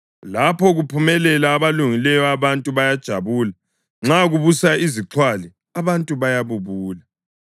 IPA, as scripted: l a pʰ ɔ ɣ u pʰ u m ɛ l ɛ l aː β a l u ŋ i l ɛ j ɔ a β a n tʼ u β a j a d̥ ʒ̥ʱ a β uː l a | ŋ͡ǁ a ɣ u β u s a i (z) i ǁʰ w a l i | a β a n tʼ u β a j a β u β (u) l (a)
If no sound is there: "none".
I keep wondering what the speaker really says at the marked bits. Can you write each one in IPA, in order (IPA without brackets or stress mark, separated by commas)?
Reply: z, uː, a